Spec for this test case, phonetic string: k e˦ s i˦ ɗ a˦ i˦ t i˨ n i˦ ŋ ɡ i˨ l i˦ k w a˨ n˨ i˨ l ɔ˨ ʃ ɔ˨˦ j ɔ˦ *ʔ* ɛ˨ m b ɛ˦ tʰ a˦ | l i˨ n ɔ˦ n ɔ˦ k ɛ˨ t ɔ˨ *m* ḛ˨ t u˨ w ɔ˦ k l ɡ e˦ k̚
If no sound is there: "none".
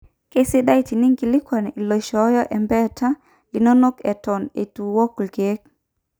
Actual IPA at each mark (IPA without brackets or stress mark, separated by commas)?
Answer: ʔ, n